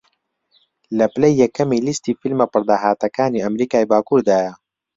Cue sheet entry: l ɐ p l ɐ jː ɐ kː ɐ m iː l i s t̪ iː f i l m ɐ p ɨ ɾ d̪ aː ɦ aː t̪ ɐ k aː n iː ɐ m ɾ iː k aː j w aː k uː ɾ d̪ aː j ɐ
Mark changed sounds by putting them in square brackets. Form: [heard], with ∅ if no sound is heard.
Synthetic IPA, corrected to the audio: l ɐ p l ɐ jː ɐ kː ɐ m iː l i s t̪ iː f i l m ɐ p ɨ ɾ d̪ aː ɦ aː t̪ ɐ k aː n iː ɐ m ɾ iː k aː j [b] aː k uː ɾ d̪ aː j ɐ